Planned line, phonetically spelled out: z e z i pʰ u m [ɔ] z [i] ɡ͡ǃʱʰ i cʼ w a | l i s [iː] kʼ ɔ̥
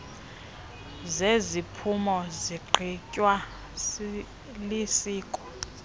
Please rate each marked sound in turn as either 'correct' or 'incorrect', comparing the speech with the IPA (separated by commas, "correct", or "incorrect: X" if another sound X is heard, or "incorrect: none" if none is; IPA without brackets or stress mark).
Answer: correct, correct, correct